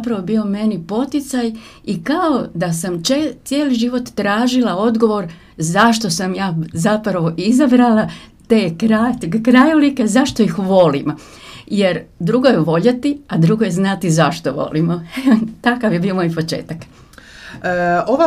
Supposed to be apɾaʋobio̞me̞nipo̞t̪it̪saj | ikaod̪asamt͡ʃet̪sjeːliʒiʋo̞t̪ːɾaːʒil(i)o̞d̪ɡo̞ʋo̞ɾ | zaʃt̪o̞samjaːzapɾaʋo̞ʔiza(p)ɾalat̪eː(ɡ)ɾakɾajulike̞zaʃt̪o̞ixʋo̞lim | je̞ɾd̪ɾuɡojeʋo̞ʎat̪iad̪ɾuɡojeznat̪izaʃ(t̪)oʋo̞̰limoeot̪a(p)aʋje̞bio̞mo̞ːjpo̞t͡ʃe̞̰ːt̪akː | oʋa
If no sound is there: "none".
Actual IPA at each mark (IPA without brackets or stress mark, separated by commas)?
a, b, k, t̪, k